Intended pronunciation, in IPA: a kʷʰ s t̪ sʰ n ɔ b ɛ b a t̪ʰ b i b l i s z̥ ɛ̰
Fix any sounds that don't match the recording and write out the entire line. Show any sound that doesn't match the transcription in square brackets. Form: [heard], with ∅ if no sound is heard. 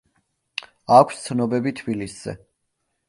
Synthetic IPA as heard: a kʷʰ s t̪ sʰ n ɔ b ɛ b [i] t̪ʰ b i [∅] l i s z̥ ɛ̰